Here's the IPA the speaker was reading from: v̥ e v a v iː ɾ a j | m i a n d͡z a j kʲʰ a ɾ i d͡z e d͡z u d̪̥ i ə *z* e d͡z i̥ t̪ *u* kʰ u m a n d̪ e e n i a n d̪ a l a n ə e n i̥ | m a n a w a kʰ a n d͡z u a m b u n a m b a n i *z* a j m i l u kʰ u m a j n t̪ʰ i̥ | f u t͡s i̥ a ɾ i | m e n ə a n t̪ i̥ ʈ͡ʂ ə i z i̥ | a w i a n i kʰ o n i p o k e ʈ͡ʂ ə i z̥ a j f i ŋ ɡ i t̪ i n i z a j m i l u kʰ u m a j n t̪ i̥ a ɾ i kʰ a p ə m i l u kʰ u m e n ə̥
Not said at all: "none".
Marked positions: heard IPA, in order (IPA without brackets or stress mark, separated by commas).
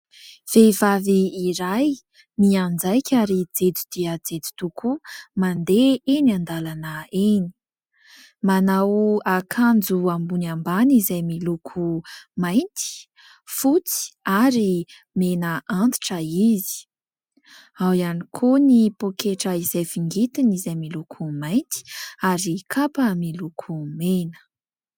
d͡z, u, z